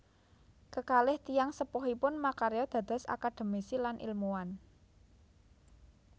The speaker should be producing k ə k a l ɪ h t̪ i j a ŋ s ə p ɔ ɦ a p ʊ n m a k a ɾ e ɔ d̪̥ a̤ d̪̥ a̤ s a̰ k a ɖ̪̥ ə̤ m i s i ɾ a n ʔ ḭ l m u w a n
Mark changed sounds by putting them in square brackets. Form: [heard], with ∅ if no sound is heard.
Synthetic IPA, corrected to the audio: k ə k a l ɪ h t̪ i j a ŋ s ə p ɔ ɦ [i] p ʊ n m a k a ɾ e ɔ d̪̥ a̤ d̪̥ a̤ s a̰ k a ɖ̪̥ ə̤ m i s i [l] a n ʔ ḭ l m u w a n